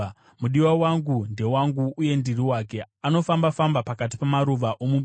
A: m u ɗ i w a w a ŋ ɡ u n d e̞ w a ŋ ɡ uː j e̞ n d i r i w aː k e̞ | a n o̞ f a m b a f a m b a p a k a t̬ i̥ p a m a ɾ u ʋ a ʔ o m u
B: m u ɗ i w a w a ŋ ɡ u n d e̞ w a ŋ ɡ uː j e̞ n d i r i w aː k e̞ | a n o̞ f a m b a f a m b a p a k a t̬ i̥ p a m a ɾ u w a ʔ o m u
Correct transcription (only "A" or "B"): A